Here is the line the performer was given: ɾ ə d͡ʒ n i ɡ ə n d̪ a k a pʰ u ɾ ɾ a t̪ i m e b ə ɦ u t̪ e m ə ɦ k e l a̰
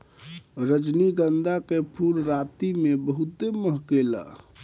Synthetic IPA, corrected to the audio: ɾ ə d͡ʒ n i ɡ ə n d̪ a k e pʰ u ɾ ɾ a t̪ i m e b ə ɦ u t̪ e m ə ɦ k e l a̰